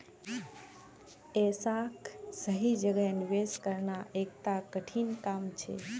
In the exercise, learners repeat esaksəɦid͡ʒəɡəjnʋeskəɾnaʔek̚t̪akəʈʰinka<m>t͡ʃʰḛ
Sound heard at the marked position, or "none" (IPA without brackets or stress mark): m